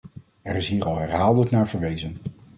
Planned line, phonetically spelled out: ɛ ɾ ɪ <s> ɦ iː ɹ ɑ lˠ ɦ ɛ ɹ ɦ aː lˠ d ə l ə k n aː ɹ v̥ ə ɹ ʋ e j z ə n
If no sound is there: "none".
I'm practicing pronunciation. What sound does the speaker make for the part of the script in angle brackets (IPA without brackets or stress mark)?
s